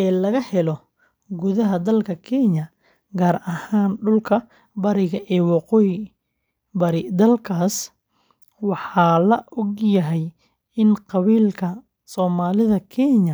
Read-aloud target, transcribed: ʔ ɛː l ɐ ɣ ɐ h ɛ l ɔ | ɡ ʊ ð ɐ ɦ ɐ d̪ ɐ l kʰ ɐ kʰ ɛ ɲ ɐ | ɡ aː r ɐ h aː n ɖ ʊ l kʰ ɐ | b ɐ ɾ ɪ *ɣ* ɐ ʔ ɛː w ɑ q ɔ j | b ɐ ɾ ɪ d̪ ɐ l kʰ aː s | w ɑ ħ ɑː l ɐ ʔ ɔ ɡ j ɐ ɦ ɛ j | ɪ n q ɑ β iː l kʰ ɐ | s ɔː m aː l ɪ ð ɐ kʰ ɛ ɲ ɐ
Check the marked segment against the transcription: correct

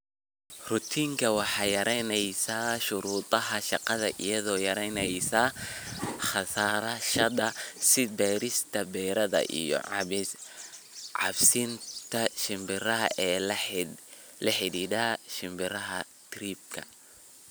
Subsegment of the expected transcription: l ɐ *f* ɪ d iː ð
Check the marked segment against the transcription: incorrect: ħ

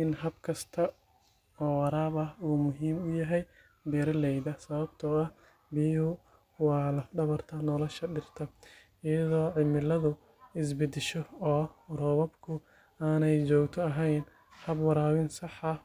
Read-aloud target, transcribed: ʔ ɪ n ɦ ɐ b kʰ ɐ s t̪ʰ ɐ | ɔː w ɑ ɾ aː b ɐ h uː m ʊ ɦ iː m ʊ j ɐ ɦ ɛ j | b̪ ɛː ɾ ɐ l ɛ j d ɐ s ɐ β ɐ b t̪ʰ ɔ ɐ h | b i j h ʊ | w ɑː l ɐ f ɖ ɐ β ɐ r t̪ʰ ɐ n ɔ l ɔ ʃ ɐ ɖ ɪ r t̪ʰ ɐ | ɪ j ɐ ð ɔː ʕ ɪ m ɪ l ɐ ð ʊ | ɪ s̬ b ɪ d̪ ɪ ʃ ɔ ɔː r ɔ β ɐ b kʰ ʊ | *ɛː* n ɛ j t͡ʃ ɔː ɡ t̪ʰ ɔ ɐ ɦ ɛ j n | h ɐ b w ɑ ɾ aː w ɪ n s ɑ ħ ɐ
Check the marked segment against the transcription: incorrect: aː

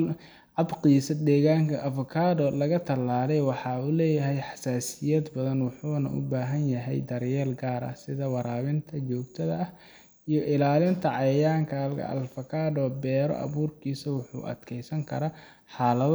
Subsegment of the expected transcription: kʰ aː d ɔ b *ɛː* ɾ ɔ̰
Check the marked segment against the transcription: correct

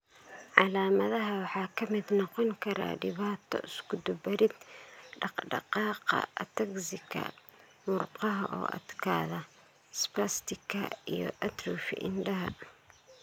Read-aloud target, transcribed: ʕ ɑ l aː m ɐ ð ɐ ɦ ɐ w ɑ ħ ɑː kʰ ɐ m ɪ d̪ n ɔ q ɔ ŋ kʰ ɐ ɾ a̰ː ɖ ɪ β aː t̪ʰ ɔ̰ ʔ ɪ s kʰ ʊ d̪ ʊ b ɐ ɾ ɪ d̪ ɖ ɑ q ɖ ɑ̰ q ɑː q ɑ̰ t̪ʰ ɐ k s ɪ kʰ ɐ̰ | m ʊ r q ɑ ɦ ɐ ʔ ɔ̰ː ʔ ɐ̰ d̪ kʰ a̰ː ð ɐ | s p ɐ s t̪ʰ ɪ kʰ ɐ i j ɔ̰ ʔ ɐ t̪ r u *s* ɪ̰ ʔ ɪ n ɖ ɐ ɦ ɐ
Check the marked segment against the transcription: incorrect: f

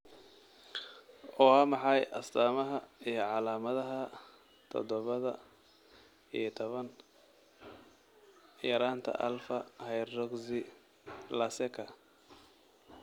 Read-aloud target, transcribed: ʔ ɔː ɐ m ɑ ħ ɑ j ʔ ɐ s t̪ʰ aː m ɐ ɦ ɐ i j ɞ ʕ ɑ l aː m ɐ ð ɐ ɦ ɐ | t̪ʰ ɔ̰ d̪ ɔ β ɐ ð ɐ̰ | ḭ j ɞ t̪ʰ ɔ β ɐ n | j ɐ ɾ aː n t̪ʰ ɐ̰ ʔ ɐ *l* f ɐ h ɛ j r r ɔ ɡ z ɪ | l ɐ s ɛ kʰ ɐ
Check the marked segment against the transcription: correct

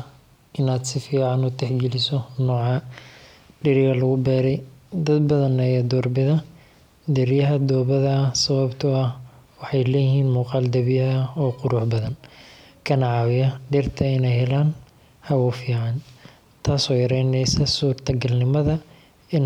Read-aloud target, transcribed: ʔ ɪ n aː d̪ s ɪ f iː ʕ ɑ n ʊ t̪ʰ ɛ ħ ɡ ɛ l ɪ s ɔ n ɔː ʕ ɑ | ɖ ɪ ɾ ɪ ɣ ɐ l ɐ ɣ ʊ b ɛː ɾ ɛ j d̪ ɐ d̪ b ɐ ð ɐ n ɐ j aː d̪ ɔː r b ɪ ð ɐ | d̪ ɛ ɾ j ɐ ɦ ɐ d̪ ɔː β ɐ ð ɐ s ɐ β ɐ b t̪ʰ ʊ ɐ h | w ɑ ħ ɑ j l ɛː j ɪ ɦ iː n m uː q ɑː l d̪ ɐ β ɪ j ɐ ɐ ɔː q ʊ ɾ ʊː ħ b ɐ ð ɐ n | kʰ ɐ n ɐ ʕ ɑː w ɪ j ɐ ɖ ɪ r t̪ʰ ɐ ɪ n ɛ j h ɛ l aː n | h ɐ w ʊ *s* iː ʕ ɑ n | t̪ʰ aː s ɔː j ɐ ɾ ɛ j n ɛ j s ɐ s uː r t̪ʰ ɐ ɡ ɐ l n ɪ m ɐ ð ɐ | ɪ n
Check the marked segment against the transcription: incorrect: f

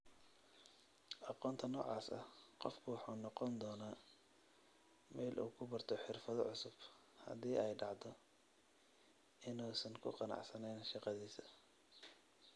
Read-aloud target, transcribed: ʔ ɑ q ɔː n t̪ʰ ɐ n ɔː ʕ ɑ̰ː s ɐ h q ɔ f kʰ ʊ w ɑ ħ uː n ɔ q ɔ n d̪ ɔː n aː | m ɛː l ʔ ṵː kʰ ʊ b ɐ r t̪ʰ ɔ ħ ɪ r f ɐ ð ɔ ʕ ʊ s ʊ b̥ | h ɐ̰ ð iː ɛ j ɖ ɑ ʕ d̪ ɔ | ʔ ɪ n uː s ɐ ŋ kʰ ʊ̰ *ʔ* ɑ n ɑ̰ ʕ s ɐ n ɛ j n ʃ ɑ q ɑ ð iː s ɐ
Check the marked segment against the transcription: incorrect: q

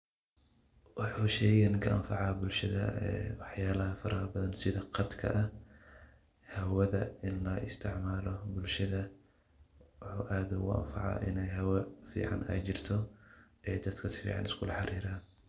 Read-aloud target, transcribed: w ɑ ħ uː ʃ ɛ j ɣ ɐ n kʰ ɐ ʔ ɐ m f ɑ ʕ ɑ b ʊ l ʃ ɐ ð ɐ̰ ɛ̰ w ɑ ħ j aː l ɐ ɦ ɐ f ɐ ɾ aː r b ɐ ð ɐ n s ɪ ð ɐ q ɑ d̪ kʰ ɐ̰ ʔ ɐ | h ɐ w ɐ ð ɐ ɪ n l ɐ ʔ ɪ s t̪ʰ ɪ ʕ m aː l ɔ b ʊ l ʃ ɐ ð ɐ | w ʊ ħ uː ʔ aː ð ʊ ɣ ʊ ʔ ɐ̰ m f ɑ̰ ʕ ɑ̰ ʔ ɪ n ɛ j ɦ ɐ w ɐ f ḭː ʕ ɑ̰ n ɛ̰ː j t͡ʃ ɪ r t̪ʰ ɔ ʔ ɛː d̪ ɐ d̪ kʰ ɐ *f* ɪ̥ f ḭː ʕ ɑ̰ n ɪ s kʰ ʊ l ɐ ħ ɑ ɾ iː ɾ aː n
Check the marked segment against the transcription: incorrect: s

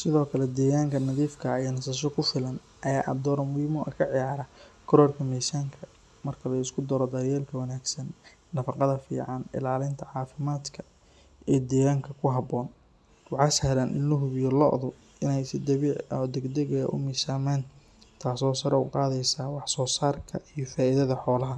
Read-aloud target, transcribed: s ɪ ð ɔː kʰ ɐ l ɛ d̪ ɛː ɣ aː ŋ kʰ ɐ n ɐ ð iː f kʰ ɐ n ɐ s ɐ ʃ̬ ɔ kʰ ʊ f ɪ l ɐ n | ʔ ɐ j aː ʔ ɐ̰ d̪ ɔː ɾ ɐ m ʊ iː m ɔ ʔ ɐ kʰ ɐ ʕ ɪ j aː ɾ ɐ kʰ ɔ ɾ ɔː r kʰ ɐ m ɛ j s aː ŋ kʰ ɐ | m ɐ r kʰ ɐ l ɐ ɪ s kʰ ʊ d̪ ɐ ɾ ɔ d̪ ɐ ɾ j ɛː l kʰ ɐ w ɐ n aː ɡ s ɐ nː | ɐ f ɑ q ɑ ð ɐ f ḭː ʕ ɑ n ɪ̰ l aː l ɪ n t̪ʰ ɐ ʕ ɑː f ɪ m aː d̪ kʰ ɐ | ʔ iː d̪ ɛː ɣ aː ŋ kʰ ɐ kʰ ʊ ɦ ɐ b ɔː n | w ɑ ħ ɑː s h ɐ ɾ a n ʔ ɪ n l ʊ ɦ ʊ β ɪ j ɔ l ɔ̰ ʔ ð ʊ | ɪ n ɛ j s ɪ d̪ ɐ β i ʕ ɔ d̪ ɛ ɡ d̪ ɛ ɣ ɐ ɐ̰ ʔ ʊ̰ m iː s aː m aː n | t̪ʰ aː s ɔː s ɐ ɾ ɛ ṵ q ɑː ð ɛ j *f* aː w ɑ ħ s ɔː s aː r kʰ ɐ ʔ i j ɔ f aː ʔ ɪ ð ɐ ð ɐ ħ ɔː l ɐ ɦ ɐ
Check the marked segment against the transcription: incorrect: s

